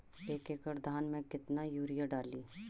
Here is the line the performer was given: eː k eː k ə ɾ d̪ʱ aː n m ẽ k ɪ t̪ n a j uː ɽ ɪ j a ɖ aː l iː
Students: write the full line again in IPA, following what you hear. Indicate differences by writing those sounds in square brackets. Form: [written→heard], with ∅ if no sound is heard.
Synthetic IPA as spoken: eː k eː k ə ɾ d̪ʱ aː n m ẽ k ɪ t̪ n a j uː [ɽ→ɾ] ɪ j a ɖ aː l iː